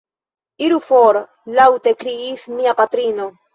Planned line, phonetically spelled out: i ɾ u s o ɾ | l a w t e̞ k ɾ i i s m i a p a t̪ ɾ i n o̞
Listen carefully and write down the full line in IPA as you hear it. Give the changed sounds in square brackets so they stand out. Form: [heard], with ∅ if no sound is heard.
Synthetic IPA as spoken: i ɾ u [f] o ɾ | l a w t e̞ k ɾ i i s m i a p a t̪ ɾ i n o̞